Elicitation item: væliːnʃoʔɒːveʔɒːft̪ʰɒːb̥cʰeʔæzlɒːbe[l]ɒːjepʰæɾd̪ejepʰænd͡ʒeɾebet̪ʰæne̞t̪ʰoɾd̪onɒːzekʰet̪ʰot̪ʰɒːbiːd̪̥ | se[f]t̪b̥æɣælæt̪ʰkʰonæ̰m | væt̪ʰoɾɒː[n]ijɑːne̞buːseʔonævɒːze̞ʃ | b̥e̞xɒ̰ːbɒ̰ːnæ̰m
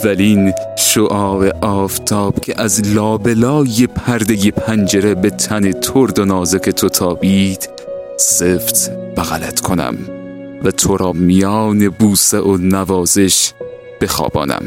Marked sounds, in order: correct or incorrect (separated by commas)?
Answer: correct, correct, incorrect